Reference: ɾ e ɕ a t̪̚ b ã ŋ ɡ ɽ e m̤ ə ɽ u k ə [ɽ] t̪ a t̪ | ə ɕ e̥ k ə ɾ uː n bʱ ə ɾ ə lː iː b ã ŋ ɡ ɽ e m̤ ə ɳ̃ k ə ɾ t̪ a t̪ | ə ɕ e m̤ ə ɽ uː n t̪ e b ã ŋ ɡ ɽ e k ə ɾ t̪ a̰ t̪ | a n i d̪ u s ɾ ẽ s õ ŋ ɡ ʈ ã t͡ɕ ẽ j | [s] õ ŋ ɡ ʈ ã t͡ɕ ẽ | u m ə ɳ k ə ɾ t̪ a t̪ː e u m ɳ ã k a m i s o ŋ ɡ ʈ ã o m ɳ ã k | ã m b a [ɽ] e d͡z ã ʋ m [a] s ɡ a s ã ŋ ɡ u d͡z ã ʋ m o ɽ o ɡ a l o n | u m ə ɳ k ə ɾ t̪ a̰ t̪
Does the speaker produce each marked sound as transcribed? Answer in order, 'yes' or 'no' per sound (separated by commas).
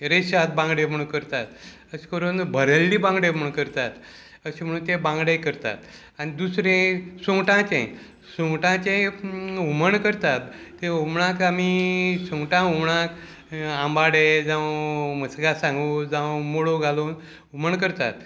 no, yes, yes, no